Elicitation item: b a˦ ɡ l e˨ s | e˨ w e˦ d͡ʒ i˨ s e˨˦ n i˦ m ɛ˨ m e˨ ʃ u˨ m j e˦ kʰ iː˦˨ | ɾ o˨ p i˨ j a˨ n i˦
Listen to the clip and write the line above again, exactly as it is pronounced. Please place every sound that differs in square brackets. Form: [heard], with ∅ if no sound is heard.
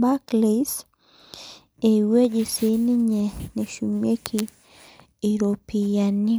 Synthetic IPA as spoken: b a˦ [k] l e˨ s | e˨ w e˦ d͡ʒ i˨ s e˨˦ n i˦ [ɲ] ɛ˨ [n] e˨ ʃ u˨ m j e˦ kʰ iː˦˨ | ɾ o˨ p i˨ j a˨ n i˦

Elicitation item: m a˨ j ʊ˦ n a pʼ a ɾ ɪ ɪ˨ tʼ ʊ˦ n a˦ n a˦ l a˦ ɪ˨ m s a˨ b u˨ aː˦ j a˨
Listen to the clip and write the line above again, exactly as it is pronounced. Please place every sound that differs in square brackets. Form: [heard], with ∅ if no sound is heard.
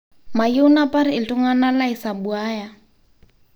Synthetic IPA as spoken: m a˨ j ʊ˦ n a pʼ a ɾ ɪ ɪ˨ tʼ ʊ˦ [ŋ] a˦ n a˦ l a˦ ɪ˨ [∅] s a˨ b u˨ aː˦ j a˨

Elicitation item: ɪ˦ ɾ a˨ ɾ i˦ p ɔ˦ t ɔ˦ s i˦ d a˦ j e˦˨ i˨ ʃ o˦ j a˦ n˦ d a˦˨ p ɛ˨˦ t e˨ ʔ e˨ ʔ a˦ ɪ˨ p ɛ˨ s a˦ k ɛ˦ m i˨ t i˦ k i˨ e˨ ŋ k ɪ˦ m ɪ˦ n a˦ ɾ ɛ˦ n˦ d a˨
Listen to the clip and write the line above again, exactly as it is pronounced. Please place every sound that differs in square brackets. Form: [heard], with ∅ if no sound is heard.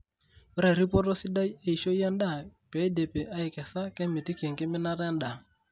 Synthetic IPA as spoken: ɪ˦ ɾ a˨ ɾ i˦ p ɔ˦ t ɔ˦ s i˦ d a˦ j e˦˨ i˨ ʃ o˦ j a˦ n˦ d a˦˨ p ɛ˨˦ [d] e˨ [p] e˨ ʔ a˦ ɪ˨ [k] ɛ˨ s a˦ k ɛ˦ m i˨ t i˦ k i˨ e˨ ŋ k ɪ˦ m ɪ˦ n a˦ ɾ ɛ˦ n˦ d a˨

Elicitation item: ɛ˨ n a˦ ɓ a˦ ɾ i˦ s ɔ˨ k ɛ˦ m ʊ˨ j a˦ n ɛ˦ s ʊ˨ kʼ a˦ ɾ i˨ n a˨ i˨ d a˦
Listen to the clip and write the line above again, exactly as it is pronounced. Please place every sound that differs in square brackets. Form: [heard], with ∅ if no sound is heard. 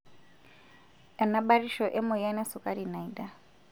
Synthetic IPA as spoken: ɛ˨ n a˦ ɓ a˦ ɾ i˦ [ʃ] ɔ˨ [ʔ] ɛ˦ m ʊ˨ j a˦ n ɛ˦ s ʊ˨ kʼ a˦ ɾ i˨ n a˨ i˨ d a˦

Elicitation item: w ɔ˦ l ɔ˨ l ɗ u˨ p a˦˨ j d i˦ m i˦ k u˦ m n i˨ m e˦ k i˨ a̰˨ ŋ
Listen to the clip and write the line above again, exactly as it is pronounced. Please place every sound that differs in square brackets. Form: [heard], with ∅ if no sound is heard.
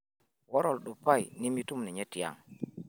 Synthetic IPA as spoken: w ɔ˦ [ɾ] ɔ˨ l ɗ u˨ p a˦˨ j [n] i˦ m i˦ [t] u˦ m n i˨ [ɲ] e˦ [t] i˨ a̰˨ ŋ

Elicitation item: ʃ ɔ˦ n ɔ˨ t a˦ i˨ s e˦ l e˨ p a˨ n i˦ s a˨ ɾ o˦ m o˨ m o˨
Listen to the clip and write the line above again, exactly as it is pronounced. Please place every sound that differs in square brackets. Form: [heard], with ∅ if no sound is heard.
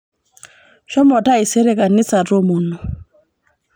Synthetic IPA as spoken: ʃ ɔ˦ [m] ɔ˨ t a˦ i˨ s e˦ [ɾ] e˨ [k] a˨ n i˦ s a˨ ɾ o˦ m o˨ [n] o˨

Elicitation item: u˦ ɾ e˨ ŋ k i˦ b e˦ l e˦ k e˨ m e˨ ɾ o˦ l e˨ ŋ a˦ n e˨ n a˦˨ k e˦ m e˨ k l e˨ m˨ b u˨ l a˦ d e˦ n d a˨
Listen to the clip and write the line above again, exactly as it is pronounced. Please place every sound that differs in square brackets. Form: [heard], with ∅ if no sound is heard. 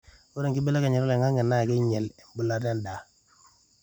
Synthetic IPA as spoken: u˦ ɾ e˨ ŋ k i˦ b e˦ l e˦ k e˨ [ɲ] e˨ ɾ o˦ l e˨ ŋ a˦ [ŋ] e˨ n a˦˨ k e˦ [ɲ] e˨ [∅] l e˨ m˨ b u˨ l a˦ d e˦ n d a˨

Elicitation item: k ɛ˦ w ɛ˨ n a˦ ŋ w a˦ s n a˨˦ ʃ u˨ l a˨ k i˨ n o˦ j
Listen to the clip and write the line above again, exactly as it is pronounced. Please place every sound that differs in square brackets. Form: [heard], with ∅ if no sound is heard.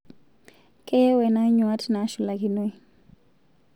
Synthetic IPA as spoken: k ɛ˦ w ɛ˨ n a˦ [ɲ] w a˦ [t] n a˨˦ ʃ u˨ l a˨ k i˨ n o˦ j

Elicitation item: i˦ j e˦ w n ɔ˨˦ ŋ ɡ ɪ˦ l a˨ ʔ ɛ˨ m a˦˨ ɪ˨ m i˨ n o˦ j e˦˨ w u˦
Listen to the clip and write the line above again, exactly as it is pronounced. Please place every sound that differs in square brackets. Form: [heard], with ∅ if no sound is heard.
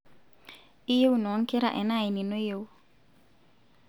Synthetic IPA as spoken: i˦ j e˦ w n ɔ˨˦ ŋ [k] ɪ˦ [ɾ] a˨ ʔ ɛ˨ [n] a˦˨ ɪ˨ [n] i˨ n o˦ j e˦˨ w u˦

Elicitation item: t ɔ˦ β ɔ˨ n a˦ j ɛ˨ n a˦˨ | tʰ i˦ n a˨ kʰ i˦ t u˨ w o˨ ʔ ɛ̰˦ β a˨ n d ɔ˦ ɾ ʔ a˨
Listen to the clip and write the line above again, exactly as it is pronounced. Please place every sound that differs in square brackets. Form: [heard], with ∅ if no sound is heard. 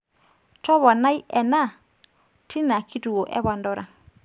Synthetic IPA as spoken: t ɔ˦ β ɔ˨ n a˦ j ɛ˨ n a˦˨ | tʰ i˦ n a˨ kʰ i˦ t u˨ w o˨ ʔ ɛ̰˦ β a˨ n d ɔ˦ ɾ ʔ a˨

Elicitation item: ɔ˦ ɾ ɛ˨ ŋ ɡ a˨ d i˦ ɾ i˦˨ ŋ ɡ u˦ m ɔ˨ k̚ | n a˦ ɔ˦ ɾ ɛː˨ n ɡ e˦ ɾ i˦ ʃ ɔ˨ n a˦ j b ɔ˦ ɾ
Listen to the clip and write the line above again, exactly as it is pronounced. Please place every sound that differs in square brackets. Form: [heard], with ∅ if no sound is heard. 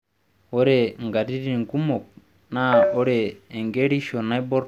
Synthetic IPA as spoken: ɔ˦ ɾ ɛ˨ ŋ ɡ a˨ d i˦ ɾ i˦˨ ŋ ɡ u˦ m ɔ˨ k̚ | n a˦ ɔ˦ ɾ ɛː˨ [ŋ] ɡ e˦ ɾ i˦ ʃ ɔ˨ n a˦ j b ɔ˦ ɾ

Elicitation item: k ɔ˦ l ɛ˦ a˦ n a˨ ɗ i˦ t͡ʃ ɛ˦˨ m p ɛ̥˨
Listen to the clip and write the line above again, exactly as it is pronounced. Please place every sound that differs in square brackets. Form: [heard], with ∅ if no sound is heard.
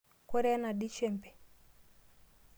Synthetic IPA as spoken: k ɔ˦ [ɾ] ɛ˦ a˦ n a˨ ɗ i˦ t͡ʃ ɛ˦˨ m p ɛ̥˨

